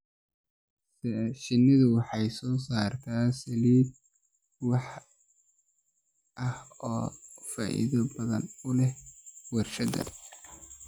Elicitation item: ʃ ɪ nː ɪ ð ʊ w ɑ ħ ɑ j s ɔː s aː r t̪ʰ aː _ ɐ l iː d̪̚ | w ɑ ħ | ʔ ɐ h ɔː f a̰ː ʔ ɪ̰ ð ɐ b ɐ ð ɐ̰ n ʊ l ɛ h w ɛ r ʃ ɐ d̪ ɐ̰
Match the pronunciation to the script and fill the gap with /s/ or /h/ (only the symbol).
s